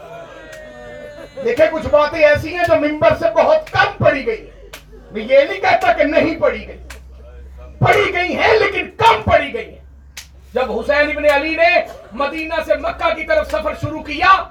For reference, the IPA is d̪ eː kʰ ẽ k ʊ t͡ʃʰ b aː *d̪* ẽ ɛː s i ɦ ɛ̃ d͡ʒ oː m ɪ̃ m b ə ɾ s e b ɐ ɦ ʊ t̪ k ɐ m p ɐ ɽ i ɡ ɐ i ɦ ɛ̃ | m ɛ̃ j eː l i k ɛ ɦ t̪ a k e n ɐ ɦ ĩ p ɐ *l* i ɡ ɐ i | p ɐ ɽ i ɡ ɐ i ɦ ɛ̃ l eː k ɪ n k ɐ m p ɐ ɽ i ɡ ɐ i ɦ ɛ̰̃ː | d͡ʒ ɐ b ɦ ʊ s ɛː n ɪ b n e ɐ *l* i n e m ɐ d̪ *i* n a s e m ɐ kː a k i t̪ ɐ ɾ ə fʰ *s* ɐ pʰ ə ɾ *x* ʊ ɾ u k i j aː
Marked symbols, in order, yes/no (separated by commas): no, no, yes, no, yes, no